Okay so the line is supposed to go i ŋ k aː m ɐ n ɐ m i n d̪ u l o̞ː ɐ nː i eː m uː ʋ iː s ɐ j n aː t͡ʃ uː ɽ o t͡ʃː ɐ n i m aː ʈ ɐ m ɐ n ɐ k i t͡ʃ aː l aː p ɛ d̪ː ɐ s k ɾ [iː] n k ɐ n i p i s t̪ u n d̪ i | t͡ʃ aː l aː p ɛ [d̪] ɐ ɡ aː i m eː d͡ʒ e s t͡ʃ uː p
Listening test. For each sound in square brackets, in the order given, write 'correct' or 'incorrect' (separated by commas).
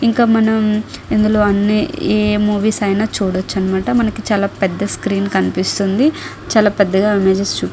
correct, incorrect